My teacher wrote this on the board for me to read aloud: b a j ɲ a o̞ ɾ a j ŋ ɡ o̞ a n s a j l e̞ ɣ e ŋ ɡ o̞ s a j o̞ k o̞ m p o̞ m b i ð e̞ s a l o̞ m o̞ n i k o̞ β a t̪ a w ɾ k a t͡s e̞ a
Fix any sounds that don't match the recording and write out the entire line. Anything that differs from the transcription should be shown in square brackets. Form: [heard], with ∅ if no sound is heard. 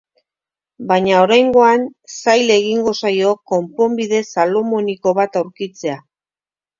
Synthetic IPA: b a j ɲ a o̞ ɾ a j ŋ ɡ o̞ a n s a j l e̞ ɣ [i] ŋ ɡ o̞ s a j o̞ k o̞ m p o̞ m b i ð e̞ s a l o̞ m o̞ n i k o̞ β a t̪ a w ɾ k [i] t͡s e̞ a